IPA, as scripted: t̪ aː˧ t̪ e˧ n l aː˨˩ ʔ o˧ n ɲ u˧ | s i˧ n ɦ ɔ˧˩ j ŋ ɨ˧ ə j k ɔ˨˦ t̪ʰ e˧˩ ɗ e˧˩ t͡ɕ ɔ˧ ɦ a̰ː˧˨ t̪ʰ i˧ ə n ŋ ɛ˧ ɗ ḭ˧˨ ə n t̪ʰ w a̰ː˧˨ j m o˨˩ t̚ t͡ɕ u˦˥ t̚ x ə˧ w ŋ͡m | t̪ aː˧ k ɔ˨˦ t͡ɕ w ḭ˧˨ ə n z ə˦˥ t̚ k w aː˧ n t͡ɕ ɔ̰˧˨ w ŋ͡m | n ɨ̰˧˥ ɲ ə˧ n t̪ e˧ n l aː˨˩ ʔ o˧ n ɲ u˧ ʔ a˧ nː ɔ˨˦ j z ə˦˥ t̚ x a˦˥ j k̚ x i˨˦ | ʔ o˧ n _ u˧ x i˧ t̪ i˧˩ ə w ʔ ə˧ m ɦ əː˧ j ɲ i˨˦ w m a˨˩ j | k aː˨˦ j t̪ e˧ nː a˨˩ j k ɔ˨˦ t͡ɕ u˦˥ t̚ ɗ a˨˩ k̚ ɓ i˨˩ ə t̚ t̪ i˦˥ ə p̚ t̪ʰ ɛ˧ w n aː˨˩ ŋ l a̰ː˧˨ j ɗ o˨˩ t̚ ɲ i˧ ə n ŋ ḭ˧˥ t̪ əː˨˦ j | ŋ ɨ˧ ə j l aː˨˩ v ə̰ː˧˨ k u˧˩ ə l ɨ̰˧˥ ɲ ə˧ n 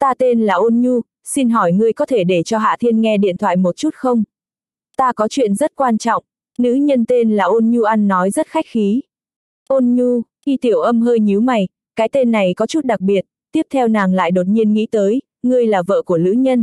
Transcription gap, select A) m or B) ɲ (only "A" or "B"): B